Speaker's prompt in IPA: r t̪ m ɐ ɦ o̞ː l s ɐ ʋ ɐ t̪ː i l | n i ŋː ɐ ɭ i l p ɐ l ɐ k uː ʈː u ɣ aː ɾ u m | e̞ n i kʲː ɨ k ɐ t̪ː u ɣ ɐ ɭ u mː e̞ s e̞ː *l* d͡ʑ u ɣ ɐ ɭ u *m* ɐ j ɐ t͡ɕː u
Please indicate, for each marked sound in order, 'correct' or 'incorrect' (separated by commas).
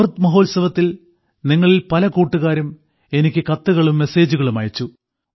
incorrect, correct